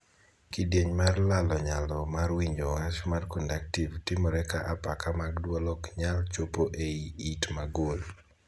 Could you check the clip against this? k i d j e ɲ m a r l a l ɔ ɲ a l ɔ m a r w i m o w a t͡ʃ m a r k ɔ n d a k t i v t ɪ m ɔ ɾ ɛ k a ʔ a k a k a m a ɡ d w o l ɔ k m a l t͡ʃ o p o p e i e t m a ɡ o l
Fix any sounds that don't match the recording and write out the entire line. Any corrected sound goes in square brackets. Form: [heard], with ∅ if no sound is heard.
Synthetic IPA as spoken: k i d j e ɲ m a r l a l ɔ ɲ a l ɔ m a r w i [ɲ] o w a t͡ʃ m a r k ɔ n d a k t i v t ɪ m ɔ ɾ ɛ k a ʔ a [p] a k a m a ɡ d w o l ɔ k [ɲ] a l t͡ʃ o p o [ʔ] e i [i] t m a ɡ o l